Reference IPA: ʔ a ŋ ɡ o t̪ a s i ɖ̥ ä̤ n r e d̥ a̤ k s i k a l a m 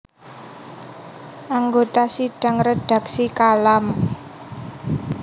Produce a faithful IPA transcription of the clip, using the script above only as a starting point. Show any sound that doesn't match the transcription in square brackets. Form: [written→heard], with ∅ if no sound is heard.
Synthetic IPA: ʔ a ŋ ɡ o t̪ a s i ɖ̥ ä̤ [n→ŋ] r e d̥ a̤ k s i k a l a m